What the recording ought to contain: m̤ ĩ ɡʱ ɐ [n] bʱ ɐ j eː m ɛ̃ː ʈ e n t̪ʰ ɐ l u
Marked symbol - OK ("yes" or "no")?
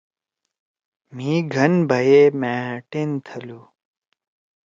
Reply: yes